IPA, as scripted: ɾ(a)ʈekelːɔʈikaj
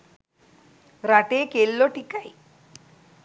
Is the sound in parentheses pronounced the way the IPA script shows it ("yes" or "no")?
yes